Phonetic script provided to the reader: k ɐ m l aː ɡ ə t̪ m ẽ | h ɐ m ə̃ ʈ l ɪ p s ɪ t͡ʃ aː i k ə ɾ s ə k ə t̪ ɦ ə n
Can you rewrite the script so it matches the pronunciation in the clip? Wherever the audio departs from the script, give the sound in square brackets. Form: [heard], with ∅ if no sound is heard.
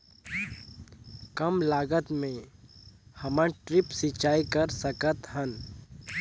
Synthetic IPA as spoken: k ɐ m l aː ɡ ə t̪ m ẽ | h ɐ m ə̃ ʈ [ɾ] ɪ p s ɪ t͡ʃ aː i k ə ɾ s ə k ə t̪ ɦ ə n